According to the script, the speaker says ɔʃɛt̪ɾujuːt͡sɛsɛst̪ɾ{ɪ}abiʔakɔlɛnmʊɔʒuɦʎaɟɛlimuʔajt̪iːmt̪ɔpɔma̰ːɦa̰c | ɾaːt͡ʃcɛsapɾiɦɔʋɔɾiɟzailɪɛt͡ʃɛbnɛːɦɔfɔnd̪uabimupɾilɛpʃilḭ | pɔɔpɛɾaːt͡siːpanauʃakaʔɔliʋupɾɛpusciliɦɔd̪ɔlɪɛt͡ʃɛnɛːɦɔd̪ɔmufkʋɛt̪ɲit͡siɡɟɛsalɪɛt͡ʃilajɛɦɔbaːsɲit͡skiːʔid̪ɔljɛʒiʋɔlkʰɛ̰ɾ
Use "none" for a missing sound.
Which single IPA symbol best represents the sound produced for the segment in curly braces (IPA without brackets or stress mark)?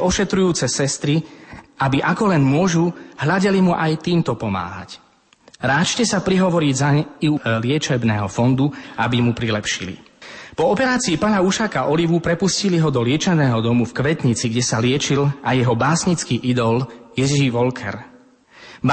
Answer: i